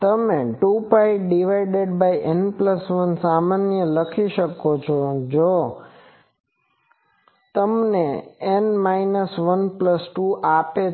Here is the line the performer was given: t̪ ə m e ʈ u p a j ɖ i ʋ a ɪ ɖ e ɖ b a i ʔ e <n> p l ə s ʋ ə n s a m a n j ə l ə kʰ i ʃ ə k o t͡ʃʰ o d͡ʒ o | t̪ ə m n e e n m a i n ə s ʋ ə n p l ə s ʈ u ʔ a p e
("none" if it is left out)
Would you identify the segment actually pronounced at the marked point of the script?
n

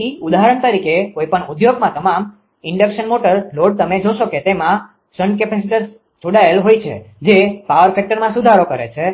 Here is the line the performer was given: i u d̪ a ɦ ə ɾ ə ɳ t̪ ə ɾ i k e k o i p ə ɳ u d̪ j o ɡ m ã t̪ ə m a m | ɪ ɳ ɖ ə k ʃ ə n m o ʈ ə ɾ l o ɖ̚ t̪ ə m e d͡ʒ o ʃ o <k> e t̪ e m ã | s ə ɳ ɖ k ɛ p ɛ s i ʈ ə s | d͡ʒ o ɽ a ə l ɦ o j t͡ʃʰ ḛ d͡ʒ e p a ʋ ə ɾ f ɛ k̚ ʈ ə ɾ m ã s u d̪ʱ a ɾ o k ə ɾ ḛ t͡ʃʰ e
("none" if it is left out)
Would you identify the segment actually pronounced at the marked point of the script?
k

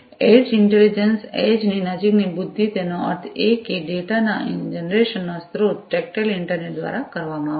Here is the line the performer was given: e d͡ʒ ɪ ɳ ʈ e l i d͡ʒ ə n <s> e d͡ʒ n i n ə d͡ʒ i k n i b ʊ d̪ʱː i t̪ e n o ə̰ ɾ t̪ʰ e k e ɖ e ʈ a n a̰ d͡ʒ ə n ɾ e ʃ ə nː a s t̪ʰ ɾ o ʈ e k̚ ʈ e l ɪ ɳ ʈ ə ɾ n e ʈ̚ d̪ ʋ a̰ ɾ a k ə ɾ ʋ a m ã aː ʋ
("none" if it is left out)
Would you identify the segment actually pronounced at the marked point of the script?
s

